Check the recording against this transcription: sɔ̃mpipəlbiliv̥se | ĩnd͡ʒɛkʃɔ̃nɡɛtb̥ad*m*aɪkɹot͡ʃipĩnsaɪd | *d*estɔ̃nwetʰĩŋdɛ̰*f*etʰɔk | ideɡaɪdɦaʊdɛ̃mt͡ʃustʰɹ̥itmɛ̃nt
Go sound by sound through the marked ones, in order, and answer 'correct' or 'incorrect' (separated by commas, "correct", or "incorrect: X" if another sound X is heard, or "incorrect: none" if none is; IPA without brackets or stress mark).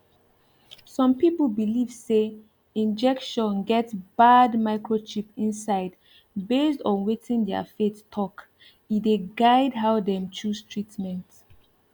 correct, incorrect: b, correct